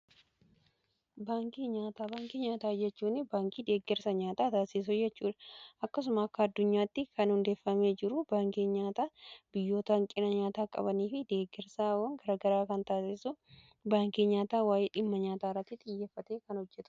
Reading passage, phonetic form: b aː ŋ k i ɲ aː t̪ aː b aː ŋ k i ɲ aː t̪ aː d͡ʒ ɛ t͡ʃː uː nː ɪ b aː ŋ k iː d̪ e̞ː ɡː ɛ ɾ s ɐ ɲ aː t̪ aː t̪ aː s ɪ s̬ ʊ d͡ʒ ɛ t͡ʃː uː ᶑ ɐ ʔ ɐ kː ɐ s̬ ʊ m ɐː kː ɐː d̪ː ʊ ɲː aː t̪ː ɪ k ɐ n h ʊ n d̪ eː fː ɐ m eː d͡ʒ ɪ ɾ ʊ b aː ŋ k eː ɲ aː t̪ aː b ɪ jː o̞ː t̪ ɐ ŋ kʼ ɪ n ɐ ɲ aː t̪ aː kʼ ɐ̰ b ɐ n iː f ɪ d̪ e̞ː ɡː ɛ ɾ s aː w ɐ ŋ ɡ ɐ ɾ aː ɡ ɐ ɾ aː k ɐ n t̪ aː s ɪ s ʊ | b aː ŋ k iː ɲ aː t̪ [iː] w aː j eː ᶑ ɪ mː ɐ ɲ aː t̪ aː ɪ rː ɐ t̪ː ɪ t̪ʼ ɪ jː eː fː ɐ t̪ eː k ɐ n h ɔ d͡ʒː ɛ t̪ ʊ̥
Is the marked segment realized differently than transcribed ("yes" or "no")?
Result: yes